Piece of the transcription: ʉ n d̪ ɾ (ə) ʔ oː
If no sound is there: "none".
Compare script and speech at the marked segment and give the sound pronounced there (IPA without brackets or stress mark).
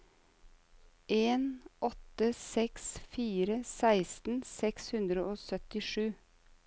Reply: ə